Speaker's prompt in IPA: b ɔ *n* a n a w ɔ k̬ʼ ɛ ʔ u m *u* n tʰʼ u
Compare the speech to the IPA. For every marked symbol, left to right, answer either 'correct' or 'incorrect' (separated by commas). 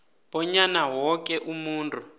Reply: incorrect, incorrect